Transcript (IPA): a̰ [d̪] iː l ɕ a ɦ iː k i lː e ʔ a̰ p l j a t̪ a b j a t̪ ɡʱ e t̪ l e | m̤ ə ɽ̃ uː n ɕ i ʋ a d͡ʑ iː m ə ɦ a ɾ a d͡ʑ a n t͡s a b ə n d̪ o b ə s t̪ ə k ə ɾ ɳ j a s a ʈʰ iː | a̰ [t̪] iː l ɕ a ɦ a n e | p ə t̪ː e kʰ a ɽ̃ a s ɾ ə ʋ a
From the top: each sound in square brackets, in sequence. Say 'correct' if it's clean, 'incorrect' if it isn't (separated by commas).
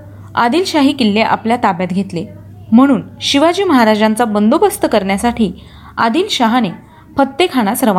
correct, incorrect